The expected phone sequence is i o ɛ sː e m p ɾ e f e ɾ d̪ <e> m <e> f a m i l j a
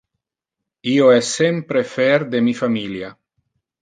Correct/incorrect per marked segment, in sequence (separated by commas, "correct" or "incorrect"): correct, incorrect